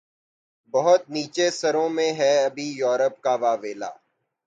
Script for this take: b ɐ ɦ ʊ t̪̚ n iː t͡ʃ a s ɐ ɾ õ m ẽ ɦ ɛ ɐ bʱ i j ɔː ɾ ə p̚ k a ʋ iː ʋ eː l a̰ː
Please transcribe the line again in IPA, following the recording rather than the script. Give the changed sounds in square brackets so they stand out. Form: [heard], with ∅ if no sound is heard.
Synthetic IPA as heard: b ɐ ɦ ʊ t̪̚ n iː t͡ʃ [e] s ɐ ɾ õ m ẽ ɦ ɛ ɐ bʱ i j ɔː ɾ ə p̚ k a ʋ [aː] ʋ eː l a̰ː